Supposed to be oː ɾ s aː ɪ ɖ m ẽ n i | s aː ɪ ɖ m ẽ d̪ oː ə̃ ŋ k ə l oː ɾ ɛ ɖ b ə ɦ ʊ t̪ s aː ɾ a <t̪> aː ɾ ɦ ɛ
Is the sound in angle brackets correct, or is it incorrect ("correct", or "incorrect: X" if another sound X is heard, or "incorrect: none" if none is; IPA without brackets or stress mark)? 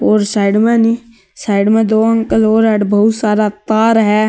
correct